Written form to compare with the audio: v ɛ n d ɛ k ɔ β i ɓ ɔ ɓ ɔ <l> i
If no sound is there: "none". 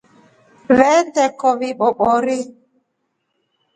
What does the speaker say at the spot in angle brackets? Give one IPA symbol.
ɾ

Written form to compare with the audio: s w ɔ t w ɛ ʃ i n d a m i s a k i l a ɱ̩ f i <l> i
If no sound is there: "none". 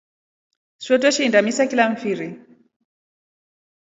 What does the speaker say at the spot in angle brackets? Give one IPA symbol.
ɾ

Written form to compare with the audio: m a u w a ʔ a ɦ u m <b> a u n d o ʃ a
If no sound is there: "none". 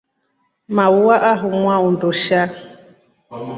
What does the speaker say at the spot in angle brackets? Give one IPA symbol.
w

